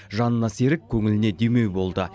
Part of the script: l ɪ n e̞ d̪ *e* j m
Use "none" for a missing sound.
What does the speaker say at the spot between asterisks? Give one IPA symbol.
e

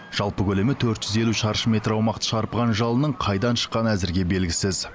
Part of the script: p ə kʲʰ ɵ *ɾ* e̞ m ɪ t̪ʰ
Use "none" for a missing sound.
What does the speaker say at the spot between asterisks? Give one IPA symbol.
l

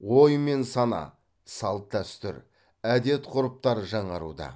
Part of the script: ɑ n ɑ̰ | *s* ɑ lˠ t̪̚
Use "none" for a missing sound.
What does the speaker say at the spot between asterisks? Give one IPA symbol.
s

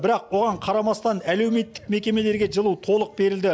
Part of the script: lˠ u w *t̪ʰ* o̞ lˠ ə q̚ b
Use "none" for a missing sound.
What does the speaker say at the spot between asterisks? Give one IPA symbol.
t̪ʰ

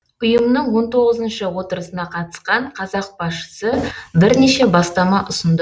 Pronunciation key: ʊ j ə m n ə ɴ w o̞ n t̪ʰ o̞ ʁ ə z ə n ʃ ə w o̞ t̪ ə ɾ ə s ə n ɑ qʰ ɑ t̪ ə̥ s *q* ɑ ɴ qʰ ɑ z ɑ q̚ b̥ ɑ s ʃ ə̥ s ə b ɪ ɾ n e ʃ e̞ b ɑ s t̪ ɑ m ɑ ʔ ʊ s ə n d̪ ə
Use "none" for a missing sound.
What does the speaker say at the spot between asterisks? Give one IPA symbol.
q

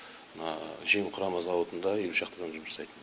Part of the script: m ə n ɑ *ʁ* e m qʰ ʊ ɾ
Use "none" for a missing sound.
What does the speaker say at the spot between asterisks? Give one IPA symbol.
ʒ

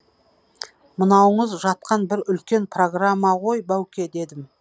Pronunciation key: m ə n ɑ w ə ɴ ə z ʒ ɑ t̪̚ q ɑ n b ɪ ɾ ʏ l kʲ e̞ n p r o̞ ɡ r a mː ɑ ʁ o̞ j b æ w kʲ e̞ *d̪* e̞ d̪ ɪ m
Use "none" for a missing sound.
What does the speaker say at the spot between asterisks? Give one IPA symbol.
d̪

